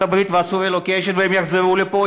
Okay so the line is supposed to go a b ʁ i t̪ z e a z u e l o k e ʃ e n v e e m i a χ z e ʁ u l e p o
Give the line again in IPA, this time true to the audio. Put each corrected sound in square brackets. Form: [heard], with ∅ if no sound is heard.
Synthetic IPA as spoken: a b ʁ i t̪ [v] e a [s] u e l o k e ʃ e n v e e m [j] a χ z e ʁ u l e p o

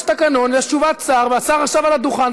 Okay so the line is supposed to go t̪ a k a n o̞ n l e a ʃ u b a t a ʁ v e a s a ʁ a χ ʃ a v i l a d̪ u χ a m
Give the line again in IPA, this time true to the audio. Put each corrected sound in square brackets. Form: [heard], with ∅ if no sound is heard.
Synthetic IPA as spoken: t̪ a k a n o̞ n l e a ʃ u [v] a [t͡s] a ʁ v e a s a ʁ a χ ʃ a v [a] l a d̪ u χ a [n]

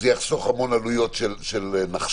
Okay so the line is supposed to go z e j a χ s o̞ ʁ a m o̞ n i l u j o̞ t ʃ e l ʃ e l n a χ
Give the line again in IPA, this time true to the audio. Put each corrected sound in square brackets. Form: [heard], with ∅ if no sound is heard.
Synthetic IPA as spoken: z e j a χ s o̞ [χ] a m o̞ n [a] l u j o̞ t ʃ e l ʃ e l n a χ

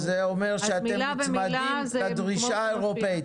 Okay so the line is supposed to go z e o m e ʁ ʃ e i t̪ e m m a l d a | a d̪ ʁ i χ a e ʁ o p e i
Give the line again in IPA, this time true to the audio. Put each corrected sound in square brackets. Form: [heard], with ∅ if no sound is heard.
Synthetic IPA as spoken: z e o m e ʁ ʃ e [a] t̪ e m m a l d [i] | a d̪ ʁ i [ʃ] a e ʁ o p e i

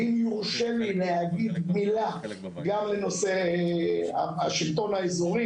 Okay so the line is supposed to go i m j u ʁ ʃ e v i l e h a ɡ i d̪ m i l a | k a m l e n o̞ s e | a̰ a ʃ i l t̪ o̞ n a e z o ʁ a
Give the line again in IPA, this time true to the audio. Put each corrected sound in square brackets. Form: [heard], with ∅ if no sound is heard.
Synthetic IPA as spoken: i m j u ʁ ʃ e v i l e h a ɡ i d̪ m i l a | [ɡ] a m l e n o̞ s e | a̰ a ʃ i l t̪ o̞ n a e z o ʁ [i]

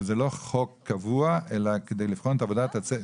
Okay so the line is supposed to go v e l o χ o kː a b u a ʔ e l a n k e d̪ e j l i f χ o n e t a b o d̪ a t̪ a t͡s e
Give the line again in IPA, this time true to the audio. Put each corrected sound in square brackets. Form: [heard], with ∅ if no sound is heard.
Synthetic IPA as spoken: [z] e l o χ o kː a [v] u a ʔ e l a [∅] k e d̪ e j l i f χ o n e t a [v] o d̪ a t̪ a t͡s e

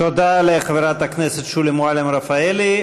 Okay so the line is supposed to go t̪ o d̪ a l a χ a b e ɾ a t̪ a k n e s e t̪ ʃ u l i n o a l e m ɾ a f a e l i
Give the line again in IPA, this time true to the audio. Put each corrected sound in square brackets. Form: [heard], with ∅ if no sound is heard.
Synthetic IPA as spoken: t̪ o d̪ a l [e] χ a [v] e ɾ a t̪ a k n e s e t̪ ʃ u l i [m] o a l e m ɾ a f a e l i

